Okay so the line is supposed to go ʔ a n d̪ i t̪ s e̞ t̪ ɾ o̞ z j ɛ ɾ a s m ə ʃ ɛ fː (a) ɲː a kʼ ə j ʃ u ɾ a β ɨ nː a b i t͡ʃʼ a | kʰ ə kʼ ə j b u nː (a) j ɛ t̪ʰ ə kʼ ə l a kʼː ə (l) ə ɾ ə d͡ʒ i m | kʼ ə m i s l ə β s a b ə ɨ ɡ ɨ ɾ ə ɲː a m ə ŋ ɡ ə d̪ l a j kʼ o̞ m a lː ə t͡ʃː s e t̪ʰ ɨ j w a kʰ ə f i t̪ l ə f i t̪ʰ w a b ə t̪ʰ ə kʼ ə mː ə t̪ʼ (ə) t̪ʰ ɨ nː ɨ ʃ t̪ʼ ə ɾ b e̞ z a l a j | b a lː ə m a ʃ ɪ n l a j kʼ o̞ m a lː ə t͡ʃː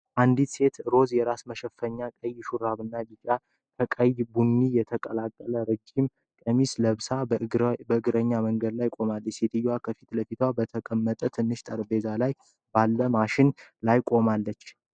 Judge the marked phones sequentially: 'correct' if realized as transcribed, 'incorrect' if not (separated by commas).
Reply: incorrect, incorrect, correct, correct